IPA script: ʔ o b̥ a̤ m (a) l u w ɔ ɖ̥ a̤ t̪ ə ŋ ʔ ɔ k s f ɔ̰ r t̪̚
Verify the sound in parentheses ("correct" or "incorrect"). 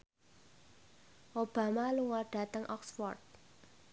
correct